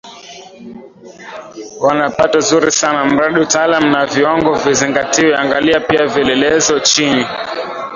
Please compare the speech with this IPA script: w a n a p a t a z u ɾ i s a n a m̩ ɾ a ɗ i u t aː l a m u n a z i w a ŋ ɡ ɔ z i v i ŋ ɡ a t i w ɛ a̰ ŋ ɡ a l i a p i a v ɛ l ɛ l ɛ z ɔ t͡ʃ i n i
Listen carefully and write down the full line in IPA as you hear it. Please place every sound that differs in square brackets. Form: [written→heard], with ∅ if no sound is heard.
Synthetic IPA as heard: w a n a p a t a z u ɾ i s a n a m̩ ɾ a ɗ i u t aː l a m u n a [z→v] i w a ŋ ɡ ɔ [z→v] i [v→z] i ŋ ɡ a t i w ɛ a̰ ŋ ɡ a l i a p i a v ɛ l ɛ l ɛ z ɔ t͡ʃ i n i